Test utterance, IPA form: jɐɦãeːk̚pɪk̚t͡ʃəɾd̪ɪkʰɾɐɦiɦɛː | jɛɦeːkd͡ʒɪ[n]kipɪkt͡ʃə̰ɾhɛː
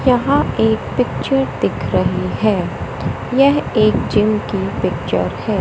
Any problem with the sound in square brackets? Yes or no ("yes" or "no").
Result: yes